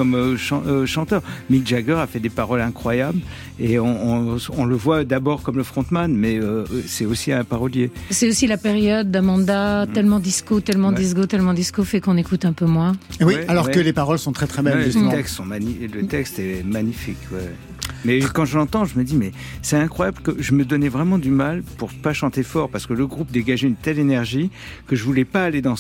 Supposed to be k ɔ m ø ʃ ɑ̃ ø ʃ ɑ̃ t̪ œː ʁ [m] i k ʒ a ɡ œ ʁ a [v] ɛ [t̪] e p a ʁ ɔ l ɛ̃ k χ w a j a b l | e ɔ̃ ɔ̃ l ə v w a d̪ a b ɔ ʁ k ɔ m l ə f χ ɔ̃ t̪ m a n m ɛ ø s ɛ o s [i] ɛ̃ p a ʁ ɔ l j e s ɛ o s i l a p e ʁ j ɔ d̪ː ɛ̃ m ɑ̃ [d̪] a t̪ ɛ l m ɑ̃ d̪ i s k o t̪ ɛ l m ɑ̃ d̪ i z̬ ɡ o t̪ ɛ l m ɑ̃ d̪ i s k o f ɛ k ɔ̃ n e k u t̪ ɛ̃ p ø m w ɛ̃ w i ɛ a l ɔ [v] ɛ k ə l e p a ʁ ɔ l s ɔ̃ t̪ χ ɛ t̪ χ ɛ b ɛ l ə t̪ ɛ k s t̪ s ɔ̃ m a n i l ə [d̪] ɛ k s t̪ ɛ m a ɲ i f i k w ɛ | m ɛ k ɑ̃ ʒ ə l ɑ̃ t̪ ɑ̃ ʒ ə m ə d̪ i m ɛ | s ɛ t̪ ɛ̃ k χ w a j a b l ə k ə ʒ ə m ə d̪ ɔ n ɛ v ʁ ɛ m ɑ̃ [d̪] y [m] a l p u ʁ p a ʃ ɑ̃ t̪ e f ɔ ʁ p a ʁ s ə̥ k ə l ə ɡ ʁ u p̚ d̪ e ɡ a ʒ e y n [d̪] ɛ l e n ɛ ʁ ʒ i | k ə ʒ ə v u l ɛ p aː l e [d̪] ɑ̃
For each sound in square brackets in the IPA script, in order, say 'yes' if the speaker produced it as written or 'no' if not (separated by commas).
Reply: yes, no, no, yes, yes, no, no, yes, yes, no, yes